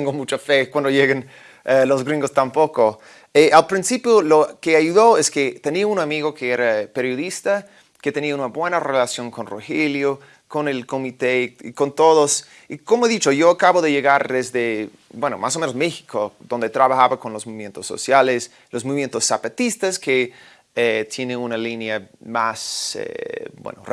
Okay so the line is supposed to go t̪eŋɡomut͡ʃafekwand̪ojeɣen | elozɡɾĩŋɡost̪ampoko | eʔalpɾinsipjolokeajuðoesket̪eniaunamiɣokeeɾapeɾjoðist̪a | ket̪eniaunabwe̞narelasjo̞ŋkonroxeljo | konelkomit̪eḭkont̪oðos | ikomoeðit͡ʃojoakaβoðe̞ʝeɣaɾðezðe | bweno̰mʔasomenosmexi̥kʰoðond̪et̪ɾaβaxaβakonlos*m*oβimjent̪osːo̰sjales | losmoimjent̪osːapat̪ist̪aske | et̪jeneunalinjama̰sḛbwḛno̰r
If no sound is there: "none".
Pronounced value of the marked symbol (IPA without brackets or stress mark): m